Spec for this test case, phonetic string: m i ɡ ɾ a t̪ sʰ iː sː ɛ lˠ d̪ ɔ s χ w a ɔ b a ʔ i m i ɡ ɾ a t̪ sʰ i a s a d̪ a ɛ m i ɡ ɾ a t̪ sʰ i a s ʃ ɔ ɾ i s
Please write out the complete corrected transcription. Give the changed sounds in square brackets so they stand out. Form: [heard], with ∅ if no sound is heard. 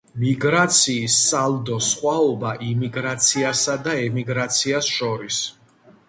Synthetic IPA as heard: m i ɡ ɾ a t̪ sʰ iː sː [a] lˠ d̪ ɔ s χ w a ɔ b a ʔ i m i ɡ ɾ a t̪ sʰ i a s a d̪ a ɛ m i ɡ ɾ a t̪ sʰ i a s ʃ ɔ ɾ i s